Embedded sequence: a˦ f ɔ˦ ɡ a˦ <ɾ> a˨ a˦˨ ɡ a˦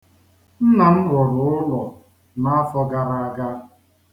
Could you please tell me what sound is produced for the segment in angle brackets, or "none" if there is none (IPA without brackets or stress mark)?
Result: ɾ